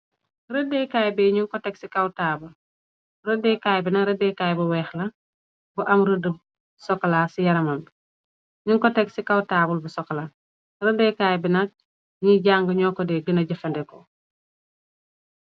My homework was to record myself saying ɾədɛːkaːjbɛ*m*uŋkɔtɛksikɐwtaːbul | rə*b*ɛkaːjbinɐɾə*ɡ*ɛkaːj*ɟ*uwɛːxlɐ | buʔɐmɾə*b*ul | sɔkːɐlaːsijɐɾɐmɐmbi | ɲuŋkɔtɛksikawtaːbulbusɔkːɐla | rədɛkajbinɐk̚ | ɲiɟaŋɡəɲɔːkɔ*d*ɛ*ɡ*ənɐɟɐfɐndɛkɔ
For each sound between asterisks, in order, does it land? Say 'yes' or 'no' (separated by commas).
no, no, no, no, no, yes, yes